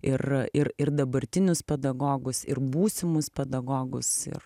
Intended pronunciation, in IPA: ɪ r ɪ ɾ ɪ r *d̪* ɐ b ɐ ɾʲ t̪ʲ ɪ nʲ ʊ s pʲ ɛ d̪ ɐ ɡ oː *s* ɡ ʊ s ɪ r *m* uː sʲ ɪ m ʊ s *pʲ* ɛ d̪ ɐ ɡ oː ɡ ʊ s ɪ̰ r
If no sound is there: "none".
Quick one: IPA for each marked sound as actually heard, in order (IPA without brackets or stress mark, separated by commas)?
d̪, none, b, pʲ